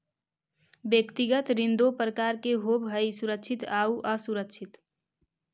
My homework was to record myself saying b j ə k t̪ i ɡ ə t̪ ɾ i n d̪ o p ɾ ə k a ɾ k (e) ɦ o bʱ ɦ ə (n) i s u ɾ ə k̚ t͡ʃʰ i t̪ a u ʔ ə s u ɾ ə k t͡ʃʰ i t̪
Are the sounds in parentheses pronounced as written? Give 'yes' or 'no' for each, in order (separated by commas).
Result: yes, no